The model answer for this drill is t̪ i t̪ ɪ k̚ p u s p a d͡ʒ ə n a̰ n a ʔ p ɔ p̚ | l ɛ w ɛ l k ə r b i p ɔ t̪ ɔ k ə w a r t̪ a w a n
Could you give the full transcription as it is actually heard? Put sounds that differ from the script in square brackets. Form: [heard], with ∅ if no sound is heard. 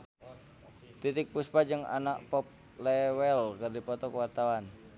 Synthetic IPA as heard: t̪ i t̪ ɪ k̚ p u s p a d͡ʒ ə [ŋ] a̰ n a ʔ p ɔ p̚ | l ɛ w ɛ l k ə r [d] i p ɔ t̪ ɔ k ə w a r t̪ a w a n